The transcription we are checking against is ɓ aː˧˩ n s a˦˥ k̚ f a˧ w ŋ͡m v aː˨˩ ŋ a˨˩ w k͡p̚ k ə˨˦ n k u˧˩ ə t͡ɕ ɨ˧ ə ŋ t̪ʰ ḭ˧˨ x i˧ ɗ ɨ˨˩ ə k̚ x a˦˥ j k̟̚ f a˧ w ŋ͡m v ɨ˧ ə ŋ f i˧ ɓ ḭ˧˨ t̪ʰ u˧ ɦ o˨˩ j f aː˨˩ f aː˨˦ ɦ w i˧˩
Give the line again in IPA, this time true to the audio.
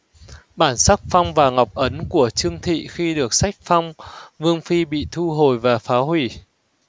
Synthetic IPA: ɓ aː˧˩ n s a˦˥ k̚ f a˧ w ŋ͡m v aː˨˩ ŋ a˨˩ w k͡p̚ ʔ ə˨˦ n k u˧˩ ə t͡ɕ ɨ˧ ə ŋ t̪ʰ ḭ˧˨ x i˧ ɗ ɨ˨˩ ə k̚ s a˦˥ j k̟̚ f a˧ w ŋ͡m v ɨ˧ ə ŋ f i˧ ɓ ḭ˧˨ t̪ʰ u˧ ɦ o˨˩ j v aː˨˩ f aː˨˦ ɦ w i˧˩